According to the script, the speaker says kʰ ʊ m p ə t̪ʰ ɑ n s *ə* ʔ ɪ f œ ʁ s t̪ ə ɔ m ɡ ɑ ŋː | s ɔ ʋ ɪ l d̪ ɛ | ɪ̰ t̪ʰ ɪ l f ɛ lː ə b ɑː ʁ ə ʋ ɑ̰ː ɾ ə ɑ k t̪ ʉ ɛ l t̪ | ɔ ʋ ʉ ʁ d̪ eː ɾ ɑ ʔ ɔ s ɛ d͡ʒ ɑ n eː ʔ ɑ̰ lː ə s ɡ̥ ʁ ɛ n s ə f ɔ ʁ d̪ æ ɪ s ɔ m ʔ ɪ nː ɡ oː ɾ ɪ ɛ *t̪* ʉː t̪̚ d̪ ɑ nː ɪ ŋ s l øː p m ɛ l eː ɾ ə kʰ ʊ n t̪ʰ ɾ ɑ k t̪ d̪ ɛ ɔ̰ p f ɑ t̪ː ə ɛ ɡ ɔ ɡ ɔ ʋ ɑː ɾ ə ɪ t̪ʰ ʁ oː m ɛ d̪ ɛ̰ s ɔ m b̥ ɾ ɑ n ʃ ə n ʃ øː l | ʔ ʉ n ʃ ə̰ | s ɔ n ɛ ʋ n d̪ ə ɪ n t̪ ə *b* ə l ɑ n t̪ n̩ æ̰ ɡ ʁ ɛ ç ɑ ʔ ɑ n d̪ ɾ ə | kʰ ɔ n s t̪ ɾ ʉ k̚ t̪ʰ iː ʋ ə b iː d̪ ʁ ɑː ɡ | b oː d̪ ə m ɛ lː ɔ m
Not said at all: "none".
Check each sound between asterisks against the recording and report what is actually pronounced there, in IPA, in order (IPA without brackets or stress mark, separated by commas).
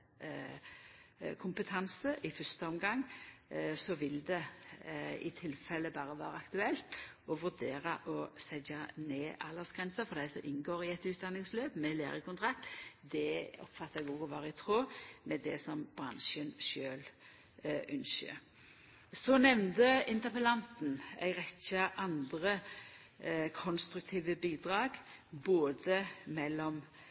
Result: ə, t̪, p